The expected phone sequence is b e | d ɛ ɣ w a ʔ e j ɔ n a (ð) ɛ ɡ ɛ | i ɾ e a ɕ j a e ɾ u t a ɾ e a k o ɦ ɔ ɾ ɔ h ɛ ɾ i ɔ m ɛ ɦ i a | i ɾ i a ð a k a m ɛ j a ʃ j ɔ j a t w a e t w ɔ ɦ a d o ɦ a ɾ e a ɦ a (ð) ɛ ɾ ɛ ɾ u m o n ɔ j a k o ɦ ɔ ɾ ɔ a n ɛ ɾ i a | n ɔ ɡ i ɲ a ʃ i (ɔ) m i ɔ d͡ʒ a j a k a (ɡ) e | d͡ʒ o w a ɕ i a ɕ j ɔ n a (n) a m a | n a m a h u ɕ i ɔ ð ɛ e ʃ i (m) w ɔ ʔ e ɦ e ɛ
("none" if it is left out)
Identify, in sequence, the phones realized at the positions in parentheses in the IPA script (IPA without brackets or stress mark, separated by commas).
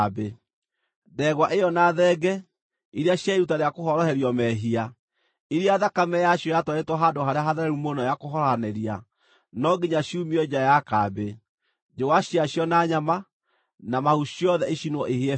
ð, ð, u, b, ɲ, n